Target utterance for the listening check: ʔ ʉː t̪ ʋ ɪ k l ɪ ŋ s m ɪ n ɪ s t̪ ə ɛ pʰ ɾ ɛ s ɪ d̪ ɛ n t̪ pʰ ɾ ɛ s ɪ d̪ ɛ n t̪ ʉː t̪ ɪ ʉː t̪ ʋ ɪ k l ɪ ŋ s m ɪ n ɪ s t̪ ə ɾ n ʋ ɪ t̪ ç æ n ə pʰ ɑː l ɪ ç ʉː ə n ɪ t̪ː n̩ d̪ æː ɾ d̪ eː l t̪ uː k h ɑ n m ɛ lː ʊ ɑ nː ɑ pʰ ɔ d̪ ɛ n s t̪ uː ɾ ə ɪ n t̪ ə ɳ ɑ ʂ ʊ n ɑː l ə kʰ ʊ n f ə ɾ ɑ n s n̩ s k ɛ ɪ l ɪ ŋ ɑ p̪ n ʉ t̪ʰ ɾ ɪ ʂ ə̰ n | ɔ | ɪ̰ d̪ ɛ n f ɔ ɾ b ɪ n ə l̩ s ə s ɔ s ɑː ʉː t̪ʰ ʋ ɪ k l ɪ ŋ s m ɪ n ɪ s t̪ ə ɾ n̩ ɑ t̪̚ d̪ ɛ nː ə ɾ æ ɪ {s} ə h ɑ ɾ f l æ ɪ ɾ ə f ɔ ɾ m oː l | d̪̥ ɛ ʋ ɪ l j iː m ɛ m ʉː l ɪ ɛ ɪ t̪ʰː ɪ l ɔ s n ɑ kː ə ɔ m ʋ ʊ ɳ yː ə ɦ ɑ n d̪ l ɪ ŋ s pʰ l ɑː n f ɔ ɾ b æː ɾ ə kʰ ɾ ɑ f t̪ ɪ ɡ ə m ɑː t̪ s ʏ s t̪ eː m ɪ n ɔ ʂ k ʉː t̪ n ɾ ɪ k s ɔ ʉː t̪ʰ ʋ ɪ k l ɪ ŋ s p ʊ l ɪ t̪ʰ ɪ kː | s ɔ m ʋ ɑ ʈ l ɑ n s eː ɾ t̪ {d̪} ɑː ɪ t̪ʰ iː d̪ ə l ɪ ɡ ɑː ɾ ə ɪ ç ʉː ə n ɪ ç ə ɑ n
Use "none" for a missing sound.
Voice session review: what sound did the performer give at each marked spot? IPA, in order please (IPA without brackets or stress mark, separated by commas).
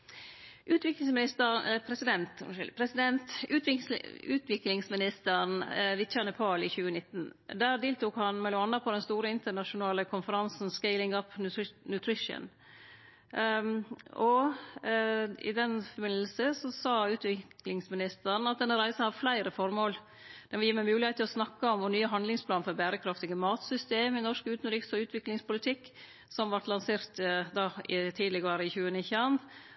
s, d̪